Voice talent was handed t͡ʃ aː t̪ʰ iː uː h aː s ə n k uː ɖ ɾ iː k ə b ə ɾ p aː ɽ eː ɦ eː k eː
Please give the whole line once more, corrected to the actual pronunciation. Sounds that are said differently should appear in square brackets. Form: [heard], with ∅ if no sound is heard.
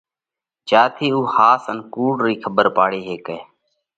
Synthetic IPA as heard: t͡ʃ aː t̪ʰ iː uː h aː s ə n k uː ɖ ɾ iː [kʰ] ə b ə ɾ p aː ɽ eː ɦ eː k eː